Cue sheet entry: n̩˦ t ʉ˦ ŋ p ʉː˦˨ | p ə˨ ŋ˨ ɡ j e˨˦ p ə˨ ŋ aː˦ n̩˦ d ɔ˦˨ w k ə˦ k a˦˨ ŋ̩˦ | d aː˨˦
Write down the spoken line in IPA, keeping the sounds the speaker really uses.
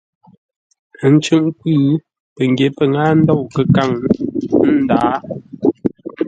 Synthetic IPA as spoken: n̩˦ t͡ʃ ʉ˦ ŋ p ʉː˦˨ | p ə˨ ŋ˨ ɡ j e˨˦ p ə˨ ŋ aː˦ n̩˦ d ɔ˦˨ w k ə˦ k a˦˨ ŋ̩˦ | d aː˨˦